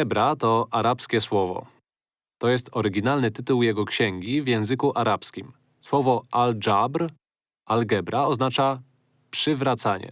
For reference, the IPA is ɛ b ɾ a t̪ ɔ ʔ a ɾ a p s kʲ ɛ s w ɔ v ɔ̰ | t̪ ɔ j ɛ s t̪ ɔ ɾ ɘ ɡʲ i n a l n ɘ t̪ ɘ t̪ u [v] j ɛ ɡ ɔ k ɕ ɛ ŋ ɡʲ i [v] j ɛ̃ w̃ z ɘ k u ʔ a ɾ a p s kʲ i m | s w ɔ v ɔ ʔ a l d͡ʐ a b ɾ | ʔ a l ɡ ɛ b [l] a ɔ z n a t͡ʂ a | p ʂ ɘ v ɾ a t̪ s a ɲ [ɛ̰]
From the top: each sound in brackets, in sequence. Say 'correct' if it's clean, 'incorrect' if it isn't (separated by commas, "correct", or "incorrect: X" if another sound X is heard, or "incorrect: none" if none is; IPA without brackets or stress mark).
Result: incorrect: w, correct, incorrect: ɾ, correct